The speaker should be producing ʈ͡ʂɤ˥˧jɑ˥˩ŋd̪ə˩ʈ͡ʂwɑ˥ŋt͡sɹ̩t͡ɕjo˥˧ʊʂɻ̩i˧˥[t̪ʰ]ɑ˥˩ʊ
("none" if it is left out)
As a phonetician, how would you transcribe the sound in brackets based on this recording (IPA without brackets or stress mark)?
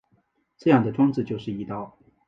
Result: t̪